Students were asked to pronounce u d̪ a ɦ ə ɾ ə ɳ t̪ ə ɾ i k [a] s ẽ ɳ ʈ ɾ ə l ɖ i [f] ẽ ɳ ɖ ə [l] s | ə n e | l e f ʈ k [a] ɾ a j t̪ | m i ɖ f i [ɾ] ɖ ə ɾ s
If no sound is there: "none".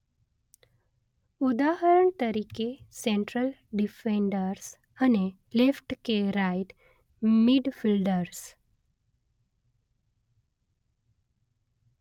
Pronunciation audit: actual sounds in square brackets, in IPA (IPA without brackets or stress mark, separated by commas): e, f, ɾ, e, l